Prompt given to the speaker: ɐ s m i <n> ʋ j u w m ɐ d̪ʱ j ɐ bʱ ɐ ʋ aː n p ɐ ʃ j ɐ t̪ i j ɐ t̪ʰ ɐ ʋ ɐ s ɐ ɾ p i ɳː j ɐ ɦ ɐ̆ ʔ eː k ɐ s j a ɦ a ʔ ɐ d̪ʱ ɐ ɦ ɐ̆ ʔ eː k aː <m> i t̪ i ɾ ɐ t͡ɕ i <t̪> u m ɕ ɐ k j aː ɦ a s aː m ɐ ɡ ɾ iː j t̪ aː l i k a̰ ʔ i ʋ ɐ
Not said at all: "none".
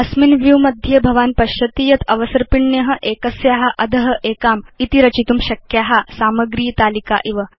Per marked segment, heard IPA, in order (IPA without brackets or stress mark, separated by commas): n, m, t̪